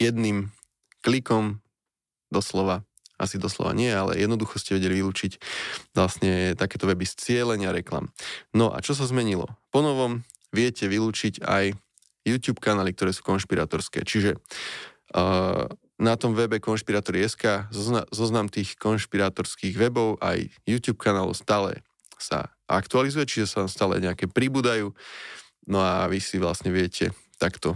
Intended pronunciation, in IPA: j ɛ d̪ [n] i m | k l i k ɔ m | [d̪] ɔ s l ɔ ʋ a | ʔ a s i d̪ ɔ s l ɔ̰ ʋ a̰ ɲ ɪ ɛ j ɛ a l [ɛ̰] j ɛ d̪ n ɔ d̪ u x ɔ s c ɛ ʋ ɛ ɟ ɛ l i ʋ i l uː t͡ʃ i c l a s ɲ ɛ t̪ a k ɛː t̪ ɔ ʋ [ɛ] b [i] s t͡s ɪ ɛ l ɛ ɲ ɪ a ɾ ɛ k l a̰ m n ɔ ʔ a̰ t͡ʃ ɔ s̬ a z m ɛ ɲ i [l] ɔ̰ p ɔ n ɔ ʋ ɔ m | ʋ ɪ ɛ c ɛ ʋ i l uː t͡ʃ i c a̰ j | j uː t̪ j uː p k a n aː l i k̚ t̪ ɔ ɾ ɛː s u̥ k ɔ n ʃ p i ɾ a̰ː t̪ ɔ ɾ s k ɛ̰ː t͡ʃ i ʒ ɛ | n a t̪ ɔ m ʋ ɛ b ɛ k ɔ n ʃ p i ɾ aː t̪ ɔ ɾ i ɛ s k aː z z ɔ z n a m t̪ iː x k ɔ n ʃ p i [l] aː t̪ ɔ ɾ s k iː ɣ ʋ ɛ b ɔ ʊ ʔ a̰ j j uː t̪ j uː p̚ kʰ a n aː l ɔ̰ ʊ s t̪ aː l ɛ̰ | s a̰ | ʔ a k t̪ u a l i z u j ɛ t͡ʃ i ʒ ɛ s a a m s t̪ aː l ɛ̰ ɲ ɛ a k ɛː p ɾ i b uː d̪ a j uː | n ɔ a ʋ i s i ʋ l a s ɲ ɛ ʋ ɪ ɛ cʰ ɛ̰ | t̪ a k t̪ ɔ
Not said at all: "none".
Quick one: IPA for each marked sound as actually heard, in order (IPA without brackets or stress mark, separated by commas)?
n, d̪, ɛ̰, ɛ, i, l, ɾ